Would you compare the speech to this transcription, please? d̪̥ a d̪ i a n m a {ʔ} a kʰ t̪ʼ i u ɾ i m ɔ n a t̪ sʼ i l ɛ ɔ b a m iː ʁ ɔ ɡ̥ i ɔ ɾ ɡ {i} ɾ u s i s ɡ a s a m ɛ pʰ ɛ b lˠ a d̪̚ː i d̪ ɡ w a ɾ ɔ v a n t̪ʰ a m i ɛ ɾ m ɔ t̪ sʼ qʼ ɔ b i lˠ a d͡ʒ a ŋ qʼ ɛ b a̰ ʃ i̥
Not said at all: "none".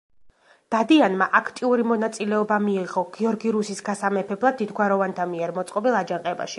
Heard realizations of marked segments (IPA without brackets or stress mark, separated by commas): ʔ, i